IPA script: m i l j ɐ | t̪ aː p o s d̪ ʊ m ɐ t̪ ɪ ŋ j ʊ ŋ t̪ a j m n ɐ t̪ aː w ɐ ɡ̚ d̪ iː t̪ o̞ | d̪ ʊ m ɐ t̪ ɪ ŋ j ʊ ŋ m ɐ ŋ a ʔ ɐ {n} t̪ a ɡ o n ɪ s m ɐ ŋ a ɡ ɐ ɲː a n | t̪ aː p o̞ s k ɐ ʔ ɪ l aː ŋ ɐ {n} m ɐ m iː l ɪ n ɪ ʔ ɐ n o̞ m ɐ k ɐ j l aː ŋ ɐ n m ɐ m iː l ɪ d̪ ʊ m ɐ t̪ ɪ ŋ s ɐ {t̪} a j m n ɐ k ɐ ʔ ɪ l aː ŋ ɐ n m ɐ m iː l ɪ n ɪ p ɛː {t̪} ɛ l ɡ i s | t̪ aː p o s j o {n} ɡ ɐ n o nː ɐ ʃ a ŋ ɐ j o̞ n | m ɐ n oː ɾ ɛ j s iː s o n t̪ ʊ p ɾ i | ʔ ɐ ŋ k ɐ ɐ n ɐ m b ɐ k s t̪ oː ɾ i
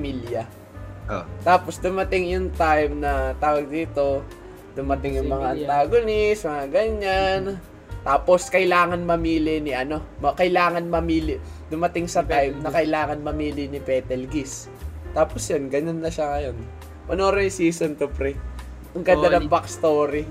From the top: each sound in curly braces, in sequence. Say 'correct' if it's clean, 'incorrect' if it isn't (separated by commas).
correct, correct, correct, correct, correct